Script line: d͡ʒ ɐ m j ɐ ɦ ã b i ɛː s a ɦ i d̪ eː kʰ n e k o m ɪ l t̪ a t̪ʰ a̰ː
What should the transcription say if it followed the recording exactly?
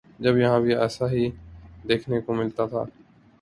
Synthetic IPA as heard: d͡ʒ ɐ b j ɐ ɦ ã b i ɛː s a ɦ i d̪ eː kʰ n e k o m ɪ l t̪ a t̪ʰ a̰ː